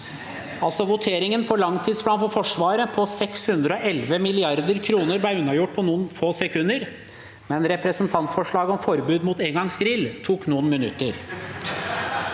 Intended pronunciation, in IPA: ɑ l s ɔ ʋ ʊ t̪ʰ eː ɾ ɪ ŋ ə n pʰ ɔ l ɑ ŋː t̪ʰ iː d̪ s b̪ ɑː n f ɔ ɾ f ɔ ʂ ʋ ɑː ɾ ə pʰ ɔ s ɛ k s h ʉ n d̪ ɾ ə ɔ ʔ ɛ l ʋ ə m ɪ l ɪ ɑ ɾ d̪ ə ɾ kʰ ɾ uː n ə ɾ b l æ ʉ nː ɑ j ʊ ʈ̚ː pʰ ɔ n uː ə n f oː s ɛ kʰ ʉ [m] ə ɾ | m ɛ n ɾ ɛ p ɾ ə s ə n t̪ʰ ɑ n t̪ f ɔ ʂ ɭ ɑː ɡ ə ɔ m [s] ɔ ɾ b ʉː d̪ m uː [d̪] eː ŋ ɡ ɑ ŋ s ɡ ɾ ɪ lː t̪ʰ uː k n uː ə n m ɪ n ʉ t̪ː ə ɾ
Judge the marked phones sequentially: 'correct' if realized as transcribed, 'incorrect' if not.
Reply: incorrect: n, incorrect: f, incorrect: t̪

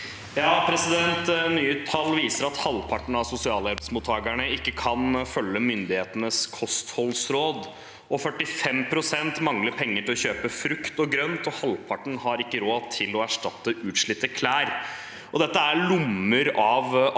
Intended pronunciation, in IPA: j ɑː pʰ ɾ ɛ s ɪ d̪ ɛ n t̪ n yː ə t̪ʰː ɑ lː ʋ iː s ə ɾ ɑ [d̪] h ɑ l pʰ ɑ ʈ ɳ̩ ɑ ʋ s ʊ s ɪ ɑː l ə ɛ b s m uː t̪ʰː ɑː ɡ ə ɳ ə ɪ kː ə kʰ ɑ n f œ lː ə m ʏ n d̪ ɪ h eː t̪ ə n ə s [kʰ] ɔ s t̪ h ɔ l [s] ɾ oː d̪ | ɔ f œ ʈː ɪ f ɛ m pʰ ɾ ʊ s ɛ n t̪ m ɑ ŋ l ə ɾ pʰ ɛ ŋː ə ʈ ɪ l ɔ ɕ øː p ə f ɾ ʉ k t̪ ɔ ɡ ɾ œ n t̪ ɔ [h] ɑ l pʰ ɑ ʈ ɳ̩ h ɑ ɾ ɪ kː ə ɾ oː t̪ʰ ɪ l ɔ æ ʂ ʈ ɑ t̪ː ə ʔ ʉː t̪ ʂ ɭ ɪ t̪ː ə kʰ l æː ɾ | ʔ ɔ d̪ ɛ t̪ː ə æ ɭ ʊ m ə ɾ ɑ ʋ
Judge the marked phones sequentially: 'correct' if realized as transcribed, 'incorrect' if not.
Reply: incorrect: t̪, correct, correct, correct

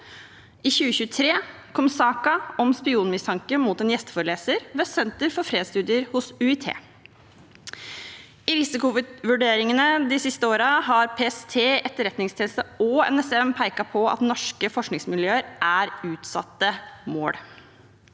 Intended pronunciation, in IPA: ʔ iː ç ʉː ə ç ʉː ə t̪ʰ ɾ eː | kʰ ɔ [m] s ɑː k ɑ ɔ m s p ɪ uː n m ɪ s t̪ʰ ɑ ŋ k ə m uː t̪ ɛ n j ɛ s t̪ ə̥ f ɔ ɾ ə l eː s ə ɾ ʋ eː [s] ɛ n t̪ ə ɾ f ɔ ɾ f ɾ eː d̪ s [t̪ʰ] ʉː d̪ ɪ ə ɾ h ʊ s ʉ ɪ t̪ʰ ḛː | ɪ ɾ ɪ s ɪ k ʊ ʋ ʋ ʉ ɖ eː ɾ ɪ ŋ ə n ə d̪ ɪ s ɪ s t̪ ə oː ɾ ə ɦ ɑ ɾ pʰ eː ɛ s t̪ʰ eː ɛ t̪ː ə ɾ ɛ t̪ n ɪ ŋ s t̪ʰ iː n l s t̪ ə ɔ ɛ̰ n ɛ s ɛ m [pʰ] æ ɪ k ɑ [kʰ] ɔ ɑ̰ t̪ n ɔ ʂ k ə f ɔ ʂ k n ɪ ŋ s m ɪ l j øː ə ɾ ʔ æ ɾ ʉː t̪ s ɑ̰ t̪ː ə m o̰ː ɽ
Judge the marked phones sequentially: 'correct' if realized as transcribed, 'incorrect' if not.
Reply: correct, correct, incorrect: t̪, correct, incorrect: pʰ

